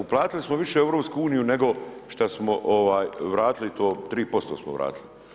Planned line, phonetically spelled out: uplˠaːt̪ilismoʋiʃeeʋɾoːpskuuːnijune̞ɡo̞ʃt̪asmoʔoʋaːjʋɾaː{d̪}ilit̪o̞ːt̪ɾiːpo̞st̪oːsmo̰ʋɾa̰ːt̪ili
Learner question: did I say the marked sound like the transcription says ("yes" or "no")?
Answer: no